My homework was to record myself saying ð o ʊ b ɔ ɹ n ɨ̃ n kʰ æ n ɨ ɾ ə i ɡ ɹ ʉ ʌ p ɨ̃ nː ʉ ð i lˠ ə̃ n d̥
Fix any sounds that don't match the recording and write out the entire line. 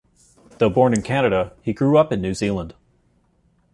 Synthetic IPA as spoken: ð o ʊ b ɔ ɹ n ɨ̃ n kʰ æ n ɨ ɾ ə i ɡ ɹ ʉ ʌ p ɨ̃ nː ʉ z i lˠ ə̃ n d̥